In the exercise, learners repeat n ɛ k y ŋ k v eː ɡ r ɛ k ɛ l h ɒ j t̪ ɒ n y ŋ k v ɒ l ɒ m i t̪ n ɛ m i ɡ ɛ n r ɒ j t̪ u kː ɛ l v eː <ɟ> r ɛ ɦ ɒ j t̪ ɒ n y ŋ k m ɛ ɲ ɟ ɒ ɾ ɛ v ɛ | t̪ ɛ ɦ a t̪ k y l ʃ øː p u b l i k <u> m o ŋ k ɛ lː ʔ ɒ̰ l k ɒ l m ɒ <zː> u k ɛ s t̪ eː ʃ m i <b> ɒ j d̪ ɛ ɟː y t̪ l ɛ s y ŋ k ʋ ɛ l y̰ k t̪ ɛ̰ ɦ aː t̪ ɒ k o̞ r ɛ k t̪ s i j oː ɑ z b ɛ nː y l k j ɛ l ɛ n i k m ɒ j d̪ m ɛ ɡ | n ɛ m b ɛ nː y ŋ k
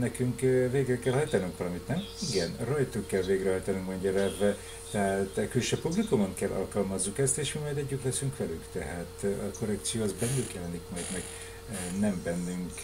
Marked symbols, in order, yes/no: no, yes, yes, no

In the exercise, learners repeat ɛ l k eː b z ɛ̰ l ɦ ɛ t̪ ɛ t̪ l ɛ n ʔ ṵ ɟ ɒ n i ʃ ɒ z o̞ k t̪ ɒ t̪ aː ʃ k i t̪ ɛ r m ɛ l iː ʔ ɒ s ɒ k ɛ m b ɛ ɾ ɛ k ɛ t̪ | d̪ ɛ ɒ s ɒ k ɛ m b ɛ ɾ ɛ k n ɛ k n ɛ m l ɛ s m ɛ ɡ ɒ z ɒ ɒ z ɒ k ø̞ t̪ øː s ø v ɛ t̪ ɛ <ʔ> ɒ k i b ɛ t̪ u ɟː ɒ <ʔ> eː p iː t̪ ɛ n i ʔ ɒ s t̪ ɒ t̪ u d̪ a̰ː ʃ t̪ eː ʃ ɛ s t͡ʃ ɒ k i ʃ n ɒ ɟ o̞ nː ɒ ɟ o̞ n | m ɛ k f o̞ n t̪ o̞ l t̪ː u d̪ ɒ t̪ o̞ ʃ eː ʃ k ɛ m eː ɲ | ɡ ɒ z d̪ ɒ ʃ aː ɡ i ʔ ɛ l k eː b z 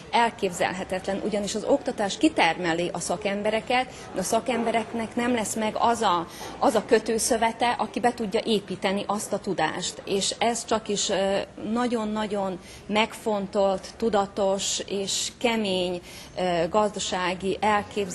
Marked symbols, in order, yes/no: yes, yes

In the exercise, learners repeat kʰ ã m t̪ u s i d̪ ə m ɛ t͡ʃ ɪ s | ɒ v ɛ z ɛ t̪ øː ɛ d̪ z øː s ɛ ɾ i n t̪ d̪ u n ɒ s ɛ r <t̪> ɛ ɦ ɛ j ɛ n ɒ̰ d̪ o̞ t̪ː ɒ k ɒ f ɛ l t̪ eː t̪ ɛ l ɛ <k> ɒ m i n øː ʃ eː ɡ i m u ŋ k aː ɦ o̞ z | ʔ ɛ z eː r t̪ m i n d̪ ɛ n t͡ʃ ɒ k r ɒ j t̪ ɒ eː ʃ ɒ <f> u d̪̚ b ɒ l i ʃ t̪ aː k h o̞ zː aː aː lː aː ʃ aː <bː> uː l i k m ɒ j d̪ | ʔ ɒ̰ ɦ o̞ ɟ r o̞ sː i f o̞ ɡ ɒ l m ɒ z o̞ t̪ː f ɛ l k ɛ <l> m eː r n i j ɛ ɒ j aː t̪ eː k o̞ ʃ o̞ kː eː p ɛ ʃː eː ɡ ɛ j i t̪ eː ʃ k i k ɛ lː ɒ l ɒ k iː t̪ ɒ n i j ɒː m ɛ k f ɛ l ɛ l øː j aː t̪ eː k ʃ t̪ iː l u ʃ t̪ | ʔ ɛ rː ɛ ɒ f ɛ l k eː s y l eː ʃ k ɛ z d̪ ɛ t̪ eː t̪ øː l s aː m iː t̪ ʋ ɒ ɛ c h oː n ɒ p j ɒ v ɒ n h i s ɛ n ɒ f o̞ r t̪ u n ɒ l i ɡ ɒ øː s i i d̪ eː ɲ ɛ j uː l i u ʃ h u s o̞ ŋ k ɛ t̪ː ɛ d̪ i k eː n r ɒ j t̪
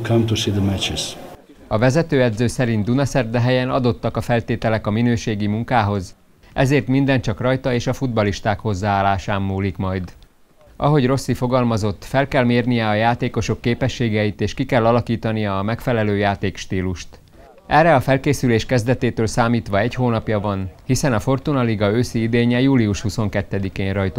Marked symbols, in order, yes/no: no, yes, yes, no, yes

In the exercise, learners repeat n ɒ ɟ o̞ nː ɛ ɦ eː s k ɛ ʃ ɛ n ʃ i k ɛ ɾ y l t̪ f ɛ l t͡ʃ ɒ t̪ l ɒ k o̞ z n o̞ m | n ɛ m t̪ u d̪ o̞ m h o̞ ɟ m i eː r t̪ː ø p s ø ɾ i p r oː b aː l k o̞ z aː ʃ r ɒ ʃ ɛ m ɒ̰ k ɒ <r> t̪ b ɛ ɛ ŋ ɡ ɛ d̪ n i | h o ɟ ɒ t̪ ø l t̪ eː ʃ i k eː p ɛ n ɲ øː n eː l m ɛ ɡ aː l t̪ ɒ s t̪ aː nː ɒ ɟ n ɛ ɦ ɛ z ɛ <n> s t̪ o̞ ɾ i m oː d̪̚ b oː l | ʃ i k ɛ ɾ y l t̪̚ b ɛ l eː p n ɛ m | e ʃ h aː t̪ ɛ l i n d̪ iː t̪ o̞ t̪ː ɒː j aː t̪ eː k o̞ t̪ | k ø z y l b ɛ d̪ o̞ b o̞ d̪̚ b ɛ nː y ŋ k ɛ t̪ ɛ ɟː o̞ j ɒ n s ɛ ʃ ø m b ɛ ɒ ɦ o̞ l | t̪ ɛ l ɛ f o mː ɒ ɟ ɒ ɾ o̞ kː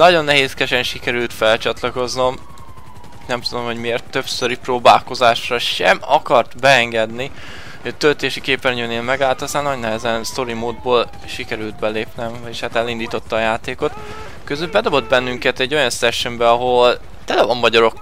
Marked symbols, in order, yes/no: yes, yes

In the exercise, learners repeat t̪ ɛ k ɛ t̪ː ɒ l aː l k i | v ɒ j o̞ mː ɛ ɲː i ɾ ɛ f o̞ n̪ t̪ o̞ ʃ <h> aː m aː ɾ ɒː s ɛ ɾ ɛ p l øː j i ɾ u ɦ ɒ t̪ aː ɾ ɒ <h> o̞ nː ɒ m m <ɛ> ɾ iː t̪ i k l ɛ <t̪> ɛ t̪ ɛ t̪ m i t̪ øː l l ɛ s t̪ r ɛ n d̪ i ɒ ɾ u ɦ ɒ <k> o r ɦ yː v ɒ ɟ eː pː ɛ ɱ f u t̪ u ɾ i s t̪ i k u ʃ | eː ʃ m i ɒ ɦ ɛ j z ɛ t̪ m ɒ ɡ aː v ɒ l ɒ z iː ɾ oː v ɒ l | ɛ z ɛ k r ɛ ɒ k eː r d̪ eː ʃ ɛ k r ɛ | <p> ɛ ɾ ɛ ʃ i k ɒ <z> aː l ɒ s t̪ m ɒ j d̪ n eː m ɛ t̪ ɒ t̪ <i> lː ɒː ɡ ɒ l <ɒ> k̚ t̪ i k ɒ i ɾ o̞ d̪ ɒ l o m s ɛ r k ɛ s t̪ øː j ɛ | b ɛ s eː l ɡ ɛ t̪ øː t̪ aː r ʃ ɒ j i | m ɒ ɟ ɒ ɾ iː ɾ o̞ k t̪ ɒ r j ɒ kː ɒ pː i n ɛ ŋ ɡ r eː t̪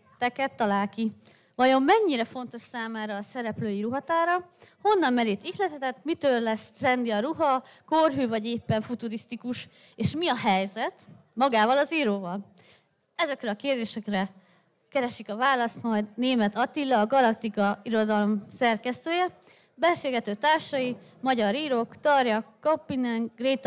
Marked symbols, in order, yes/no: no, yes, yes, yes, yes, no, no, yes, yes

